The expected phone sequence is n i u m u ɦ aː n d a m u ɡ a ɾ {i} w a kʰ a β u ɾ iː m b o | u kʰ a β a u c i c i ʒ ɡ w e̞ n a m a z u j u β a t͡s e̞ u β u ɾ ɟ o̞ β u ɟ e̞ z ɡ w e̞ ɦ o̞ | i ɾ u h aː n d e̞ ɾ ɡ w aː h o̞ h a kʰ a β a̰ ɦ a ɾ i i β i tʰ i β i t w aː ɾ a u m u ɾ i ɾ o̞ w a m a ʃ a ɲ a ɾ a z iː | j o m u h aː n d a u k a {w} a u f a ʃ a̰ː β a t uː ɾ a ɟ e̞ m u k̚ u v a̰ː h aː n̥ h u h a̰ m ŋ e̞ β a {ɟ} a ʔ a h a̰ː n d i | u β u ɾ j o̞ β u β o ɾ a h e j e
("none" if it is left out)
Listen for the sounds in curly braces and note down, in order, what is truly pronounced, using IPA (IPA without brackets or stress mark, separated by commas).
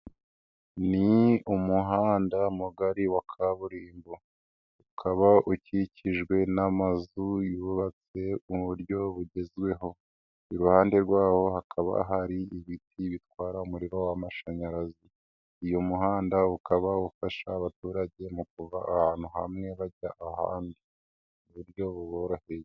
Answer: i, β, ɟ